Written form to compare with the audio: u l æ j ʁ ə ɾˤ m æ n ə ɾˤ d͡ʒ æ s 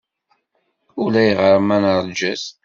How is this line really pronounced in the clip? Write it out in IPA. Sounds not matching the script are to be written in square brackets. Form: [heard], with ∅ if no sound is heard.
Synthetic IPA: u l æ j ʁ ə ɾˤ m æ n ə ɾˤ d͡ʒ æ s